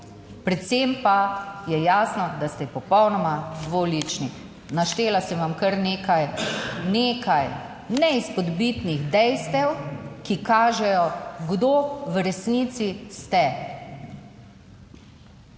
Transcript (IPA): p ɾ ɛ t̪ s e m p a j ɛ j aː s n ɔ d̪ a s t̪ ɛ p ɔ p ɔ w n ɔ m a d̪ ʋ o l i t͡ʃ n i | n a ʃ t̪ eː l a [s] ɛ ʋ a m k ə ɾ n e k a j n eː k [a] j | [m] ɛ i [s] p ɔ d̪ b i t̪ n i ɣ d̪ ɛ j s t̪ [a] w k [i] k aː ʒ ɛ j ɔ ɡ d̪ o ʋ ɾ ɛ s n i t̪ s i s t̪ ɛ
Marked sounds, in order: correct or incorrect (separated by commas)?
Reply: correct, correct, incorrect, correct, incorrect, correct